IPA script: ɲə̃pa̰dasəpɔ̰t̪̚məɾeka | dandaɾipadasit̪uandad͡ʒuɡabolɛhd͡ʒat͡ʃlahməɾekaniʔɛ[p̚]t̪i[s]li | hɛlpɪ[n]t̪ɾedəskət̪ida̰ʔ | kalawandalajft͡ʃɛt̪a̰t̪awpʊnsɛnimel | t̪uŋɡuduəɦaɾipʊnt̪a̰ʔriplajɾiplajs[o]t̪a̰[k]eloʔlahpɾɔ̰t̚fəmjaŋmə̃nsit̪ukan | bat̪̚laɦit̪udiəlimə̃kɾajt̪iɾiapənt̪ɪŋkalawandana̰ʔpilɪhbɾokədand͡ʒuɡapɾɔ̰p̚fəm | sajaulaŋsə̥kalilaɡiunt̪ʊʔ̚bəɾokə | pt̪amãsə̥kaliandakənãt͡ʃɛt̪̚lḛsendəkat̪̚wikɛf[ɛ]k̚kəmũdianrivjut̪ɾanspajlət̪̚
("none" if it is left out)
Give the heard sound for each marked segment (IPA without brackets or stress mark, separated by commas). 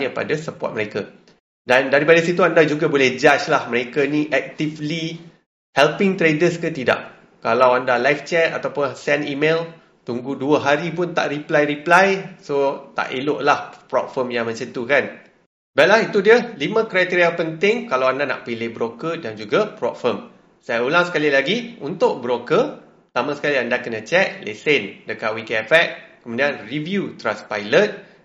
k̚, f, ŋ, o, ʔ, ɛ